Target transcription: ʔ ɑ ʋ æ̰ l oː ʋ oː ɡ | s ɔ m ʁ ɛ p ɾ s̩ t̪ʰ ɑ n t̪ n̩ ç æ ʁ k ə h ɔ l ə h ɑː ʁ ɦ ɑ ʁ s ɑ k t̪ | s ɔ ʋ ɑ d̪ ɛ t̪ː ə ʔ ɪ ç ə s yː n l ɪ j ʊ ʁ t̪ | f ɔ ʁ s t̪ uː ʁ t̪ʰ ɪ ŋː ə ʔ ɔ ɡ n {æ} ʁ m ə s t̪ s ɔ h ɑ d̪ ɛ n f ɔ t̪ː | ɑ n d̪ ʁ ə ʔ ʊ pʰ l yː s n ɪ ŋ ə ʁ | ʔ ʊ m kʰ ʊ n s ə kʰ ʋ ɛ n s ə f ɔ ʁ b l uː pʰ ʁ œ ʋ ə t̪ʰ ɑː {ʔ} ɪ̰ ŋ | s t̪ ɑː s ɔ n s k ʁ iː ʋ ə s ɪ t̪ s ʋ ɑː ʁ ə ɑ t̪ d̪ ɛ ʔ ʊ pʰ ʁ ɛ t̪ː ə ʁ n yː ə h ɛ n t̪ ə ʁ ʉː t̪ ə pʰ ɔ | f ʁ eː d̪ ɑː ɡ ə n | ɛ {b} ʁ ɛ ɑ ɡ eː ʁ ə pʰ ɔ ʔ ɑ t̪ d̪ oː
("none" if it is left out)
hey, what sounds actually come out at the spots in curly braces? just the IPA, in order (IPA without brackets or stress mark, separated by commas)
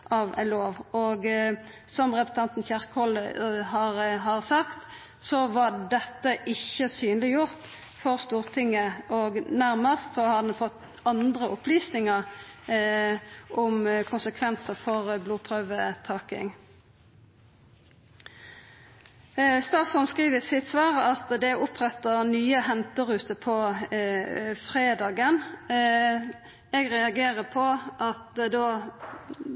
æ, k, ɡ